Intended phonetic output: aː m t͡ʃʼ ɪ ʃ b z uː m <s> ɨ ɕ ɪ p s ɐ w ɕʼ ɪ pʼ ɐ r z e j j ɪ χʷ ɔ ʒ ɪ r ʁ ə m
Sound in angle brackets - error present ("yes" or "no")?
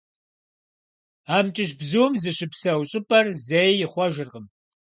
yes